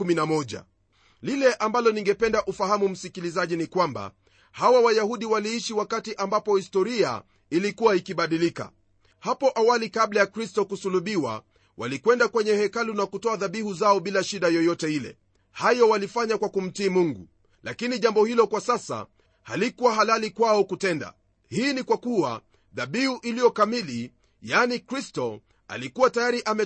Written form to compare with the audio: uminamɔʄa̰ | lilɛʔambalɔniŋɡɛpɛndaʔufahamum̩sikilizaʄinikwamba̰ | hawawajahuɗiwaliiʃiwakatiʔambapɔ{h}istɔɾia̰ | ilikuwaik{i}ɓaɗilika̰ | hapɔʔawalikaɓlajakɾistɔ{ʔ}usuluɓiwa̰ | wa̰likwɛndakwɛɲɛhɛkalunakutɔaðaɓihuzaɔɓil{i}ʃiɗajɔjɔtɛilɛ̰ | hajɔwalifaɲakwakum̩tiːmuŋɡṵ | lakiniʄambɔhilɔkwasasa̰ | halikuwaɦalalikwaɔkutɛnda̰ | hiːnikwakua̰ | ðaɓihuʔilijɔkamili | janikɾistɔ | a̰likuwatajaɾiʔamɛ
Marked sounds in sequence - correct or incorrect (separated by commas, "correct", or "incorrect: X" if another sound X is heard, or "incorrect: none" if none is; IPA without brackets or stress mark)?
correct, correct, incorrect: k, incorrect: a